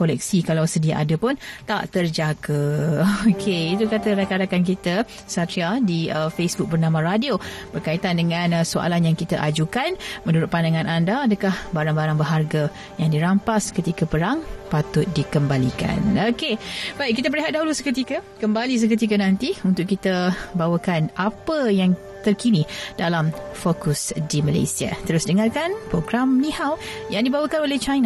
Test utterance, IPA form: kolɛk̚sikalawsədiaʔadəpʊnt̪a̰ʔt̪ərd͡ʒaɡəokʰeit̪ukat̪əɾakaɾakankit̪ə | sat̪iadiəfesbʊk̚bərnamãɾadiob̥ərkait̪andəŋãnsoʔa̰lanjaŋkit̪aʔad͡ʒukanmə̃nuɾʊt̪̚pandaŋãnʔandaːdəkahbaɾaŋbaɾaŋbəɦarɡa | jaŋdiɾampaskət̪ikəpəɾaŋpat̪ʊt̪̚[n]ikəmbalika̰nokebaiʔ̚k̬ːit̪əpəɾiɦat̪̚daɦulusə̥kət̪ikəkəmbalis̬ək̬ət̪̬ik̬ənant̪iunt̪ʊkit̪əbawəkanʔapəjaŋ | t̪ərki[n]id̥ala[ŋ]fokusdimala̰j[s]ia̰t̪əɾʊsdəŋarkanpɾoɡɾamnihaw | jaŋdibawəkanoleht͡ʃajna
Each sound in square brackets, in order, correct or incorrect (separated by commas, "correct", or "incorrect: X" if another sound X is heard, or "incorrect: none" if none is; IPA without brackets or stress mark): incorrect: d, correct, incorrect: m, correct